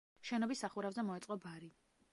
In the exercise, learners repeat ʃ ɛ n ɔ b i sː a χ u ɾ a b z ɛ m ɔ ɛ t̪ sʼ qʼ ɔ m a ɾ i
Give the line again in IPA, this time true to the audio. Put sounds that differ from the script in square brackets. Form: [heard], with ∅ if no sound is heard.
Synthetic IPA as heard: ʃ ɛ n ɔ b i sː a χ u ɾ a [v] z ɛ m ɔ ɛ t̪ sʼ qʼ ɔ [b] a ɾ i